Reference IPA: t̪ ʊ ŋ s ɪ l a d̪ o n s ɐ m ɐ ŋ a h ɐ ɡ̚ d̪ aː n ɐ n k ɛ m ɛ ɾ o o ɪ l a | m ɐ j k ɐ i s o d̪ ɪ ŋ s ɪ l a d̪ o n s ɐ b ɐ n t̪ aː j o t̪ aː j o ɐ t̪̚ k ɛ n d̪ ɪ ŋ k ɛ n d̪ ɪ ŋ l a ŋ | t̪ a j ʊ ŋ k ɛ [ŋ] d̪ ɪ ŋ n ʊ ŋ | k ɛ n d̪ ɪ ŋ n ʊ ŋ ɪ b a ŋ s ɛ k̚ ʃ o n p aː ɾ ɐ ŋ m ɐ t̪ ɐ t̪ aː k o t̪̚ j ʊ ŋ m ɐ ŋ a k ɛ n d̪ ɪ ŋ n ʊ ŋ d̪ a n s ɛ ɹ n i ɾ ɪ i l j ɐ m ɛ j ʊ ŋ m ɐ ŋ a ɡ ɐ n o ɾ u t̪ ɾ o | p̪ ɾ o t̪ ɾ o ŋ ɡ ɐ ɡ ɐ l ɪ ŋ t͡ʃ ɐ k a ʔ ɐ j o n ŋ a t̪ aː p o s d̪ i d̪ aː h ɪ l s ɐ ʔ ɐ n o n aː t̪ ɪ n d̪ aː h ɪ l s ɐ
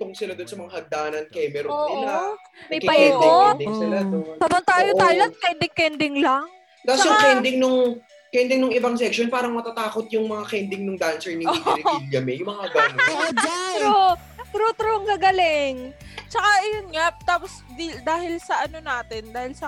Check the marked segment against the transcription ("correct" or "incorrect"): incorrect